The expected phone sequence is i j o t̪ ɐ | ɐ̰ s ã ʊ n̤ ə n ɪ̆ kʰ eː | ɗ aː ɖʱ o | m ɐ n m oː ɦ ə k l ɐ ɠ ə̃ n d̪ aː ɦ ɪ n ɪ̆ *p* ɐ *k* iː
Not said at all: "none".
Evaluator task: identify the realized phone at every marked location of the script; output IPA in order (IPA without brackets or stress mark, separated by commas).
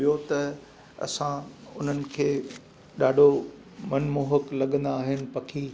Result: p, kʰ